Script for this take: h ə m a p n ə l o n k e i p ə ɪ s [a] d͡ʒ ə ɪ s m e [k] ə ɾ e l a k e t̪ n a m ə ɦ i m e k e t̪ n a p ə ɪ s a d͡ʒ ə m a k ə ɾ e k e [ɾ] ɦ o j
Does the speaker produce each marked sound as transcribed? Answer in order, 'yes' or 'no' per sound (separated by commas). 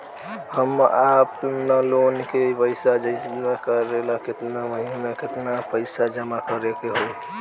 yes, yes, no